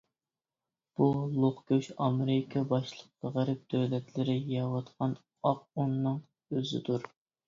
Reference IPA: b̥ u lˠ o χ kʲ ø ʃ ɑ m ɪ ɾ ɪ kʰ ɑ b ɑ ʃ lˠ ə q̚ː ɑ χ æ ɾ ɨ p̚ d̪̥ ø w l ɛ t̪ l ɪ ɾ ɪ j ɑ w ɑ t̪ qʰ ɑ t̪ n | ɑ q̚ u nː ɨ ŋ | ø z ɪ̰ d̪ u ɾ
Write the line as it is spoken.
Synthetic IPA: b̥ u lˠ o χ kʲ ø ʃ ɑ m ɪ ɾ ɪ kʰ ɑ b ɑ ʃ lˠ ə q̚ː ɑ ʁ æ ɾ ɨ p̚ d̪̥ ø w l ɛ t̪ l ɪ ɾ ɪ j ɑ w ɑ t̪ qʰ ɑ n | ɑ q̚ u nː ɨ ŋ | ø z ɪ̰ d̪ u ɾ